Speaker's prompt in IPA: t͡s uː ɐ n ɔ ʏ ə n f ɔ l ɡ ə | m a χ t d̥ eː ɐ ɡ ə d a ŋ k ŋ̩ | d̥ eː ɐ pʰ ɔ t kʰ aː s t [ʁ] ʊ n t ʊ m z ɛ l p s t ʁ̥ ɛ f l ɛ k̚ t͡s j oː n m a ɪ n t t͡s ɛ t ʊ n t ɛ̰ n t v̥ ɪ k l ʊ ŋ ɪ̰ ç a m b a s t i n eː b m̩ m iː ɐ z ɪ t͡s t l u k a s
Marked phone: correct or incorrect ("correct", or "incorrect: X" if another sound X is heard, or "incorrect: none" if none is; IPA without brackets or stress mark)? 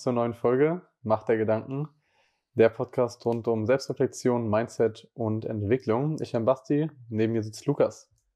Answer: correct